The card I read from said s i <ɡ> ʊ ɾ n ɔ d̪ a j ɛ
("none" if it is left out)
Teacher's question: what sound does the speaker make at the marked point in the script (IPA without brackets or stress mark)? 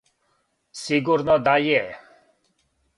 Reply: ɡ